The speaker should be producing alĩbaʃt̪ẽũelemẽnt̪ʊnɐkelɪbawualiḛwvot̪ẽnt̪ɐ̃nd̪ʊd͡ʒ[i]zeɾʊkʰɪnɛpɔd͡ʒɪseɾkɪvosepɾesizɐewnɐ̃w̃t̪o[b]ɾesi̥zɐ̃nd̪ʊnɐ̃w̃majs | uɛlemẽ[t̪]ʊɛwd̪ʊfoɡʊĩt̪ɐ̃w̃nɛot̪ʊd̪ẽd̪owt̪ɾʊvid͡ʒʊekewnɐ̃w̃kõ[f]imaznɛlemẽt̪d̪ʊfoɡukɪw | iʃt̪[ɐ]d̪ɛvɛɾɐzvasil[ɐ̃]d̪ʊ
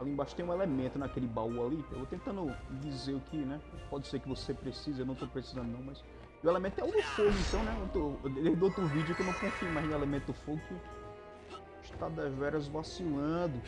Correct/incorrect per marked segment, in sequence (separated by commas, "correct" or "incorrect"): correct, incorrect, correct, correct, incorrect, correct